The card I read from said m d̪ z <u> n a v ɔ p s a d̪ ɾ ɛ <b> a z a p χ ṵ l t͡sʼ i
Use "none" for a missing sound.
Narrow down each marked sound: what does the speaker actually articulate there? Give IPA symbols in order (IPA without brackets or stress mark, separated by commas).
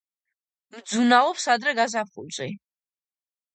u, ɡ